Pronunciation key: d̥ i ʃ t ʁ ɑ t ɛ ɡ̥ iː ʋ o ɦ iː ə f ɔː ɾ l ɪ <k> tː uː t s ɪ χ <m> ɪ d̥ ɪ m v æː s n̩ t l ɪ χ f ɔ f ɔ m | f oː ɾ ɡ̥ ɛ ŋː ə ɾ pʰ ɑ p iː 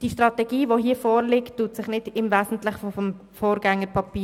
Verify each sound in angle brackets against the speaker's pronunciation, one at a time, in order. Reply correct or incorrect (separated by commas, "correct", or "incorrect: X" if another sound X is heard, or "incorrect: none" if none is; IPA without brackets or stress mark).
correct, incorrect: n